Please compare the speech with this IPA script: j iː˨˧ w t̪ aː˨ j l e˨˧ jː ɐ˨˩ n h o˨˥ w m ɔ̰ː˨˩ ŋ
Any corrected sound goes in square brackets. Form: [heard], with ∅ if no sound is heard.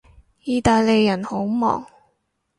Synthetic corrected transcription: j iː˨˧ [∅] t̪ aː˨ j l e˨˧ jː ɐ˨˩ n h o˨˥ w m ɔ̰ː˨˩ ŋ